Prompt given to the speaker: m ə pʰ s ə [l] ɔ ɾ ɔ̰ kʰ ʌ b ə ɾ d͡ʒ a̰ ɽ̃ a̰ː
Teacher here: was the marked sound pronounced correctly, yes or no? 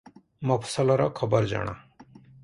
yes